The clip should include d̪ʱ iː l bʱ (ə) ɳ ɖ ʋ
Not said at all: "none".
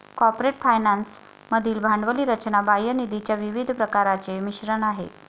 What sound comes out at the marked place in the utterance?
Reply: a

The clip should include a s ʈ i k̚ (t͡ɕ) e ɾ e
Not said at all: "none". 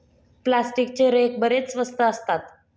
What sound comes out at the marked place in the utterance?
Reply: t͡ɕ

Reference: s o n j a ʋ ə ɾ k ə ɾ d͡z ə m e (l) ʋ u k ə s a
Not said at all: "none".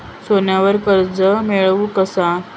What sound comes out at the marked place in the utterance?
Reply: ɭ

